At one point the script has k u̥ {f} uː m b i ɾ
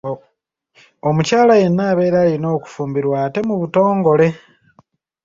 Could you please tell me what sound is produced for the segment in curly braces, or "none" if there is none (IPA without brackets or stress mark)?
f